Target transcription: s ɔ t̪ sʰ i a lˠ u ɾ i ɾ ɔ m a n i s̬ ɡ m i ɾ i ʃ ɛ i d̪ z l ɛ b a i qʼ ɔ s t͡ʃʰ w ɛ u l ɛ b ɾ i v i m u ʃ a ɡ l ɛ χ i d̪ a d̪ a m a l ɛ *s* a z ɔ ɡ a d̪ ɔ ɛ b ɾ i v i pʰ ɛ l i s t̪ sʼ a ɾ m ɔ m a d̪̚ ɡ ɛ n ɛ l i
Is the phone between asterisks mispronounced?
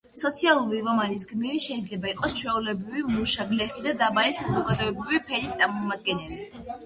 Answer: no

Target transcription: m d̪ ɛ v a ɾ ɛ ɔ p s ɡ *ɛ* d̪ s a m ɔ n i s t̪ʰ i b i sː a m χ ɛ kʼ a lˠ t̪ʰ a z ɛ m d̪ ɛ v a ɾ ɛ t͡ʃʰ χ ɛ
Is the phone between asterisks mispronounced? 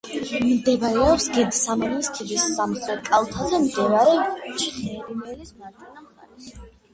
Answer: no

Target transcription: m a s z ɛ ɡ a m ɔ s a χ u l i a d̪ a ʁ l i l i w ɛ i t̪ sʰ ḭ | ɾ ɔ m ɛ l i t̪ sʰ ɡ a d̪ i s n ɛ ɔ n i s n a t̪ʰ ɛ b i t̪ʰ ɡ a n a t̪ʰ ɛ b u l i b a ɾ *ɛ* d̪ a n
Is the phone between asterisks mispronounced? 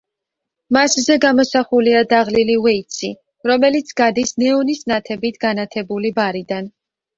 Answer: yes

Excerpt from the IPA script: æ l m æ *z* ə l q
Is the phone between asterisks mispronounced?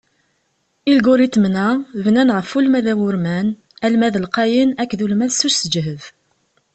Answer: yes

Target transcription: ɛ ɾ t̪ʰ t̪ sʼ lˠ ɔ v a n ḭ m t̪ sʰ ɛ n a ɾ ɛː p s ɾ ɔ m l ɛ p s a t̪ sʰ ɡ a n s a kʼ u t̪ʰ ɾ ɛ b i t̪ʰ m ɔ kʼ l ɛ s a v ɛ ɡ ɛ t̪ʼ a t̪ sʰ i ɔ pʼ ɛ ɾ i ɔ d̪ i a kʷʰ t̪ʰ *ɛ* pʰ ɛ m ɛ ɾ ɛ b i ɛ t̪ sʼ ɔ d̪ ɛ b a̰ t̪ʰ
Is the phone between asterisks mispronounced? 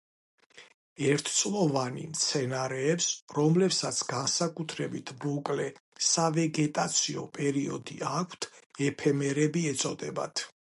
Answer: no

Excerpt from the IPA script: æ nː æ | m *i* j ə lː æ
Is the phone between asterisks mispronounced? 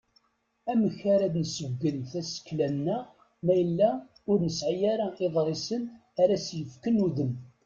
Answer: yes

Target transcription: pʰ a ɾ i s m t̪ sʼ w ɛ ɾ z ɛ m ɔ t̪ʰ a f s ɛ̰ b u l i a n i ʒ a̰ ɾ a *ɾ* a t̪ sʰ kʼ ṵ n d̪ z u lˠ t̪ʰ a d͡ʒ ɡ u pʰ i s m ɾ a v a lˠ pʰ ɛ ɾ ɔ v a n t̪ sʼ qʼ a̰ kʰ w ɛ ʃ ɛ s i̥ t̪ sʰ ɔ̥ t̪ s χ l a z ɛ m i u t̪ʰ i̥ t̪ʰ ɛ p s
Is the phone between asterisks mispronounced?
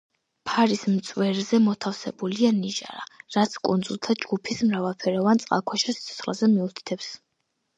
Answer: no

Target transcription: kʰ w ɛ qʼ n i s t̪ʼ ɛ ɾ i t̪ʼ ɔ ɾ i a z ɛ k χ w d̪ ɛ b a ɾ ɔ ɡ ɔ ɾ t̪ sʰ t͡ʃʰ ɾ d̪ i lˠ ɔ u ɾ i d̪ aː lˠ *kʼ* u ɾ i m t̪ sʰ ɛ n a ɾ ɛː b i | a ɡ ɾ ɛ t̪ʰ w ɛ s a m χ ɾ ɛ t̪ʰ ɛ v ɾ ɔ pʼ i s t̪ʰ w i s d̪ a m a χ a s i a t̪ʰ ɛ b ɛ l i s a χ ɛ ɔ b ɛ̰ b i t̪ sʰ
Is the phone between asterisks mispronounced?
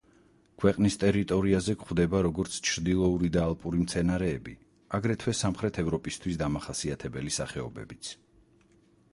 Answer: yes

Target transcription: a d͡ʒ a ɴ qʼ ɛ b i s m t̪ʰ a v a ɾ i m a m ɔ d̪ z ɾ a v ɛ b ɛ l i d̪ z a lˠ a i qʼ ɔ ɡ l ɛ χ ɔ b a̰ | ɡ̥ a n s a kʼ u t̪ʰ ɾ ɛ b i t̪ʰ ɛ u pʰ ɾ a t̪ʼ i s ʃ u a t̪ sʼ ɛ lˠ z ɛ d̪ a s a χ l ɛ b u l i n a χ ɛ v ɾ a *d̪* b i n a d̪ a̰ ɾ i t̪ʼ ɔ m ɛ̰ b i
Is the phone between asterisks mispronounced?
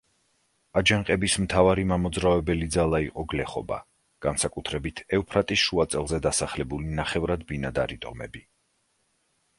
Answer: no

